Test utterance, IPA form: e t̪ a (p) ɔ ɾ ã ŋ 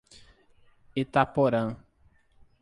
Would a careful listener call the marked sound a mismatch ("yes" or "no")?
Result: no